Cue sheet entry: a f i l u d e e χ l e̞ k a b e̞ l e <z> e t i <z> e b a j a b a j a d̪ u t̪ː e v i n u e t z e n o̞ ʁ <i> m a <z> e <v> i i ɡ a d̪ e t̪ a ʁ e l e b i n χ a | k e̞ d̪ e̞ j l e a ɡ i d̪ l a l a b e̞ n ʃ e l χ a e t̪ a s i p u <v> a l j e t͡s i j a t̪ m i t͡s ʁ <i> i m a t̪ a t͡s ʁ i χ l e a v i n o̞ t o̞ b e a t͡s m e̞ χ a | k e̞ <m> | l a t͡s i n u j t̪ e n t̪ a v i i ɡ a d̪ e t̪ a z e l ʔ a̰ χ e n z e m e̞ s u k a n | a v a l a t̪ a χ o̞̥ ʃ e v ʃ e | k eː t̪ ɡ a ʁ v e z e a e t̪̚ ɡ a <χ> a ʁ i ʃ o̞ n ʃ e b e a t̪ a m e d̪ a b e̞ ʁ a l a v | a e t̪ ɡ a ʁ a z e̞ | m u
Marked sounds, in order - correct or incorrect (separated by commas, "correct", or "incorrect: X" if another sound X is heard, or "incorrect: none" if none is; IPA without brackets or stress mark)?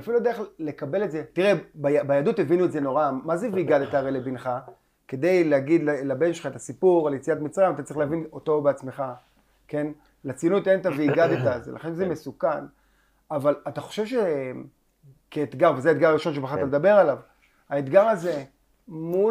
correct, incorrect: ʁ, incorrect: a, correct, correct, incorrect: ʁ, incorrect: a, incorrect: n, incorrect: ʁ